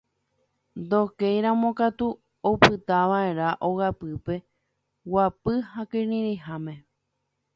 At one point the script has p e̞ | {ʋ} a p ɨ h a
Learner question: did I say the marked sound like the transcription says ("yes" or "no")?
no